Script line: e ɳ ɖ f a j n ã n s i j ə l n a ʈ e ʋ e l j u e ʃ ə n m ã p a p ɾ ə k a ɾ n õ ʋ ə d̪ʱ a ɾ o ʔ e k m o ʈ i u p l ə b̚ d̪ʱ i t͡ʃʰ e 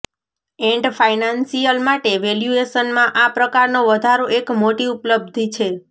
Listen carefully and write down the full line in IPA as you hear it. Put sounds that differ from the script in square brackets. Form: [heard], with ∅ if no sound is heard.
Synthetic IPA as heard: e ɳ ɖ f a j n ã n s i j ə l [m] a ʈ e ʋ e l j u e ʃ ə n m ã [ʔ] a p ɾ ə k a ɾ n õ ʋ ə d̪ʱ a ɾ o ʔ e k m o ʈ i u p l ə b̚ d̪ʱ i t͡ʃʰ e